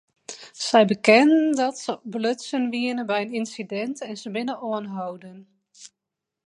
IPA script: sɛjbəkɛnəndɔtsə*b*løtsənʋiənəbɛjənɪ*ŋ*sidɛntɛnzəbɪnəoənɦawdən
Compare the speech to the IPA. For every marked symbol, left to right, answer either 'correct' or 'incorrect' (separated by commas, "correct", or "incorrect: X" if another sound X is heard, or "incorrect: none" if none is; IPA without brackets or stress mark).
correct, incorrect: n